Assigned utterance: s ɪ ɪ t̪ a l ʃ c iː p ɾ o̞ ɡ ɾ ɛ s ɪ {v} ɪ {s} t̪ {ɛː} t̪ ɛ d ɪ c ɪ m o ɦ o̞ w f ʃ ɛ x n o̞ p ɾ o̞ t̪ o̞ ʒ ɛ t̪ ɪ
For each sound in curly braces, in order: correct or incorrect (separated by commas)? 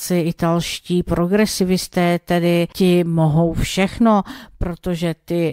correct, correct, correct